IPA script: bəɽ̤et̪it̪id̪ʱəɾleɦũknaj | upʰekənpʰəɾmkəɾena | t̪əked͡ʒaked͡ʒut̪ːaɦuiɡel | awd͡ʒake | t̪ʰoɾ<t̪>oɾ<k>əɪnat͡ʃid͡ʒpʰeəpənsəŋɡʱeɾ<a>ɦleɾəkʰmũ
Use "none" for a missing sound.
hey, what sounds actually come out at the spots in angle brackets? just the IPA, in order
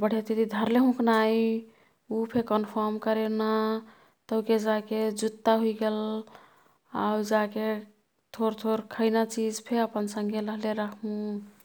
t̪ʰ, kʰ, ə

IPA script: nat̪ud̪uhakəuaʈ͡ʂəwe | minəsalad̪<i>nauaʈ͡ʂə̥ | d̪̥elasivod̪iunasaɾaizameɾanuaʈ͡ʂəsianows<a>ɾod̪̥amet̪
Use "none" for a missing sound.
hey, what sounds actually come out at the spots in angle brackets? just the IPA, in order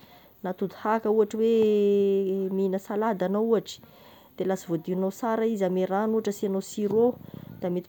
a, i

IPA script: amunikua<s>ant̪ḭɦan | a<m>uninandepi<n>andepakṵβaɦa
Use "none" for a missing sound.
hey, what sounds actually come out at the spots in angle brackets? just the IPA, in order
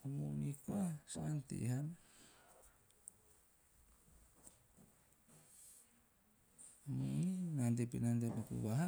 s, m, n

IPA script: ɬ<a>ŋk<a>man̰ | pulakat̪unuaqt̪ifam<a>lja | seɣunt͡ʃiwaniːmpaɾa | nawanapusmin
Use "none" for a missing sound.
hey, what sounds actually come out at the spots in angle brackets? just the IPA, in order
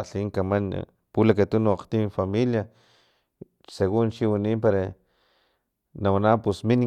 i, a, i

